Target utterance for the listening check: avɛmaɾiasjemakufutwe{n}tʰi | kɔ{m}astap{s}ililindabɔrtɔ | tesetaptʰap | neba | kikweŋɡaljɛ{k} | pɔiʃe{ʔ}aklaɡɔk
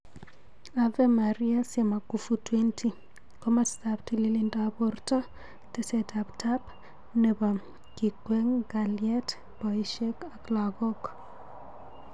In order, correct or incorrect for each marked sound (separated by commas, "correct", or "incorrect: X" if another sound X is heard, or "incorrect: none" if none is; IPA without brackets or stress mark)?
correct, correct, incorrect: t, incorrect: t, incorrect: k